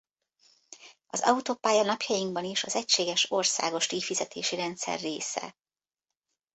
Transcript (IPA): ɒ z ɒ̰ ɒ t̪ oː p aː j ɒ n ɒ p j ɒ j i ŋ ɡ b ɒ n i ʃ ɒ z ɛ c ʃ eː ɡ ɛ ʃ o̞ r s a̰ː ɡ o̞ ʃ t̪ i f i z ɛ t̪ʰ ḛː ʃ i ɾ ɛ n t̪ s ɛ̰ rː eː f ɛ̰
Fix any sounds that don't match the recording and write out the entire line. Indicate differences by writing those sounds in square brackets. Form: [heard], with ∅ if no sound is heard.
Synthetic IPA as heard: ɒ z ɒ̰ [u] t̪ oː p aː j ɒ n ɒ p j ɒ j i ŋ ɡ b ɒ n i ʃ ɒ z ɛ c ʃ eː ɡ ɛ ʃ o̞ r s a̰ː ɡ o̞ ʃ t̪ i f i z ɛ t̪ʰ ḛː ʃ i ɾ ɛ n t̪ s ɛ̰ rː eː [s] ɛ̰